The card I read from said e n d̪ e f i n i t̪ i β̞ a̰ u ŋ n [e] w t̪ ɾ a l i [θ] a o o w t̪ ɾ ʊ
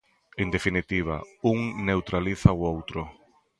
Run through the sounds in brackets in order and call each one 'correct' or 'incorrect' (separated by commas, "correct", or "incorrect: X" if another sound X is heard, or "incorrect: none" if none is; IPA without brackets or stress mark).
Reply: correct, correct